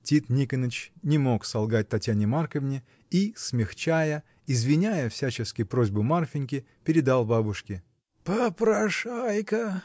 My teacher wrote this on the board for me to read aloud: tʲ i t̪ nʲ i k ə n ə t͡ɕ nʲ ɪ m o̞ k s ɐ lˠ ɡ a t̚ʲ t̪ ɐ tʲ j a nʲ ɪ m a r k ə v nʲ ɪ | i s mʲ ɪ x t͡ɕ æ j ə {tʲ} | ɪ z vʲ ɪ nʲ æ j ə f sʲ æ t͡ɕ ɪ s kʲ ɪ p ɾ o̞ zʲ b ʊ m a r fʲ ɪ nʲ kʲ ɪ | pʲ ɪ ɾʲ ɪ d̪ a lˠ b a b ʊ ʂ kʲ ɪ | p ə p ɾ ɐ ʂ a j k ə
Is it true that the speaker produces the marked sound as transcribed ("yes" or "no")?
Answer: no